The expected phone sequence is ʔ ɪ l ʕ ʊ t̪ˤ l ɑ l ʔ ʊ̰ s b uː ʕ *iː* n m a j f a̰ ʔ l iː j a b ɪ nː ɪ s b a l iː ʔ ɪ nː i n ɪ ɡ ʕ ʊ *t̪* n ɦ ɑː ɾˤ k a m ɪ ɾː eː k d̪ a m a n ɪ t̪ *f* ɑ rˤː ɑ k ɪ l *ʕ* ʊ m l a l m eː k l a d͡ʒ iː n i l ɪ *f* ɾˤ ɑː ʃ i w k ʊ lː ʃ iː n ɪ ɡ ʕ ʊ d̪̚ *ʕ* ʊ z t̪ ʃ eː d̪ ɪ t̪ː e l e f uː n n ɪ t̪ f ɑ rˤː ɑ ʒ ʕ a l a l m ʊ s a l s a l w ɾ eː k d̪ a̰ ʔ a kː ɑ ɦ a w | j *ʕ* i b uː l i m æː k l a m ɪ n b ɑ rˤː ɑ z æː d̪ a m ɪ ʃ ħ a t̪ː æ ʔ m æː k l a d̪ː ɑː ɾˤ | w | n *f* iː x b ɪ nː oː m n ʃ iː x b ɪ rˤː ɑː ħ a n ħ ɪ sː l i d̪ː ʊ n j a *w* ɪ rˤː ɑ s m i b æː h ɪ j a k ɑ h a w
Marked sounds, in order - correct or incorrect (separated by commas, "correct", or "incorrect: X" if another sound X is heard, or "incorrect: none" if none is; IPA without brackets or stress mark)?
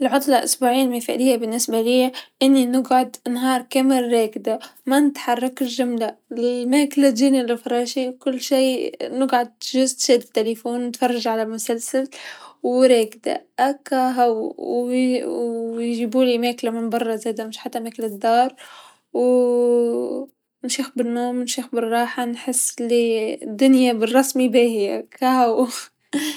correct, incorrect: d̪, incorrect: ħ, incorrect: ʒ, correct, incorrect: ʒ, incorrect: ʒ, incorrect: ʃ, incorrect: b